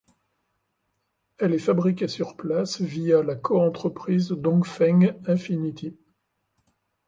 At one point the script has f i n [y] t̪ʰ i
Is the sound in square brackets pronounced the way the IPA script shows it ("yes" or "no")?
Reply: no